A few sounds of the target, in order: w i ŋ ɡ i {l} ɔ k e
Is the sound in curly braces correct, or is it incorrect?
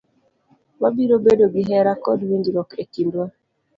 incorrect